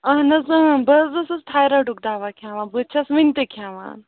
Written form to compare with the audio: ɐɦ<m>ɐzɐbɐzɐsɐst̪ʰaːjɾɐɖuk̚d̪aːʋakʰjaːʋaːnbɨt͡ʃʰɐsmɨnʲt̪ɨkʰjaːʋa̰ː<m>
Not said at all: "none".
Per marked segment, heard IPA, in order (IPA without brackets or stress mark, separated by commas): n, n